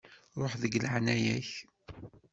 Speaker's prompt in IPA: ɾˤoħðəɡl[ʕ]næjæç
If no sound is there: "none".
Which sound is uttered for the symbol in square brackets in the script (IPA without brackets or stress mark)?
ʕ